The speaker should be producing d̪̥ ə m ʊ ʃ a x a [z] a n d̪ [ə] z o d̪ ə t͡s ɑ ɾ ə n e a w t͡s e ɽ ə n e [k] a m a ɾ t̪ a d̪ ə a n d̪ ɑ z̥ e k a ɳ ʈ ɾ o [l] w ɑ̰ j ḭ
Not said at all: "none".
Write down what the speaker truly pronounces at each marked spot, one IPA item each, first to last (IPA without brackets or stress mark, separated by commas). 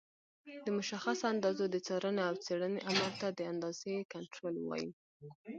s, ɑ, ʔ, l